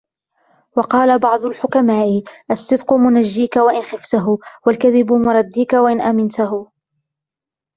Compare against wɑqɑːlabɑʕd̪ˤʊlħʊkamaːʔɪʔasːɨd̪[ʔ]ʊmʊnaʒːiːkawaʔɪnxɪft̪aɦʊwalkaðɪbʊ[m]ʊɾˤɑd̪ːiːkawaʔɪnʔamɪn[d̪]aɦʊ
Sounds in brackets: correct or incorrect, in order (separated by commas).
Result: incorrect, correct, incorrect